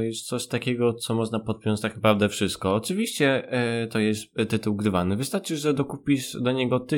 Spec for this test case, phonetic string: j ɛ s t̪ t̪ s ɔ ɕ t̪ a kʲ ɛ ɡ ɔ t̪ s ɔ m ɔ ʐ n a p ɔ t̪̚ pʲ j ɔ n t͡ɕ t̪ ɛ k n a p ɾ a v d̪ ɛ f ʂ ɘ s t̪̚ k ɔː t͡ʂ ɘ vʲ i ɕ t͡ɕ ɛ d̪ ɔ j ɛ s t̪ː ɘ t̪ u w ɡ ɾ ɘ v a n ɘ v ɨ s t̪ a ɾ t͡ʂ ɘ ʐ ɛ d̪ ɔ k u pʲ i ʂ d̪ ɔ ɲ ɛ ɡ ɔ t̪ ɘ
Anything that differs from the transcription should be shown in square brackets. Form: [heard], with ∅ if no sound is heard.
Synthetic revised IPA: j ɛ s t̪ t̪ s ɔ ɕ t̪ a kʲ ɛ ɡ ɔ t̪ s ɔ m ɔ ʐ n a p ɔ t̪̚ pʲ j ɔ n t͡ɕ t̪ [a] k n a p ɾ a v d̪ ɛ f ʂ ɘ s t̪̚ k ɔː t͡ʂ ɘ vʲ i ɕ t͡ɕ ɛ [t̪] ɔ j ɛ s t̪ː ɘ t̪ u w ɡ ɾ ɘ v a n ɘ v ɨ s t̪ a ɾ t͡ʂ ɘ ʐ ɛ d̪ ɔ k u pʲ i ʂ d̪ ɔ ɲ ɛ ɡ ɔ t̪ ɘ